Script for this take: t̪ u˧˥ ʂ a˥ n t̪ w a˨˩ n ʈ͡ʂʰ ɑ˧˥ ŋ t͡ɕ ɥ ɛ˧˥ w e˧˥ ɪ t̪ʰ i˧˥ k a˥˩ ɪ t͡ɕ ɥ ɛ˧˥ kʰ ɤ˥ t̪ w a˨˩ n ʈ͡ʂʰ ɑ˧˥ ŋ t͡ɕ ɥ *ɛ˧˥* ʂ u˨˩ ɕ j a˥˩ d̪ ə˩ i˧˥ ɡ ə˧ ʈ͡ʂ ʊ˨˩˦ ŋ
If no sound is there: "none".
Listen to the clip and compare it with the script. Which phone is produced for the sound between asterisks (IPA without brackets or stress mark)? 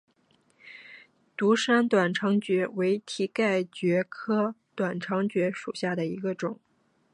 ɛ˧˥